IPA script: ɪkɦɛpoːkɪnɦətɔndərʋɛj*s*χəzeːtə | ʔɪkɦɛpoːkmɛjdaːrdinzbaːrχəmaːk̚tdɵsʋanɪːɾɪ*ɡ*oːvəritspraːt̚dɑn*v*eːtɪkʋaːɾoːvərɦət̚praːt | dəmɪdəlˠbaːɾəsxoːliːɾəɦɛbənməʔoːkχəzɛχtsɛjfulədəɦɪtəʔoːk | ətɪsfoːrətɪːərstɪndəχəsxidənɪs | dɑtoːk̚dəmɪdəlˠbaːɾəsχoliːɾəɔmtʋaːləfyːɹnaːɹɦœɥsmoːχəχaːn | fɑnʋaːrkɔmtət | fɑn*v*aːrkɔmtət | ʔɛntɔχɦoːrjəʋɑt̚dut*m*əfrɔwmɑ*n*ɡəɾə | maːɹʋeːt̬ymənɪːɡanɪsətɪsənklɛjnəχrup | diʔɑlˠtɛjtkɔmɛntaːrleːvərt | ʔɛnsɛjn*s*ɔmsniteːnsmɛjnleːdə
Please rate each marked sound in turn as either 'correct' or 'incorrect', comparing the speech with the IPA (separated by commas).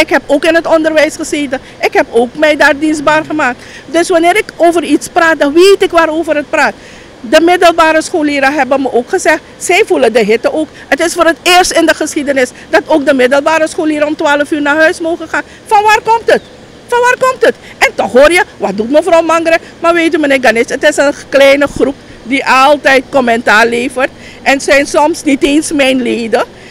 correct, incorrect, incorrect, incorrect, correct, incorrect, correct